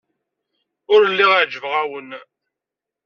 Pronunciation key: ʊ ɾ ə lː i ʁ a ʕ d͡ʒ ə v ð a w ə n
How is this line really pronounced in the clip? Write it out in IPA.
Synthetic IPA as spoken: ʊ ɾ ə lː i ʁ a ʕ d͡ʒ ə v ʁ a w ə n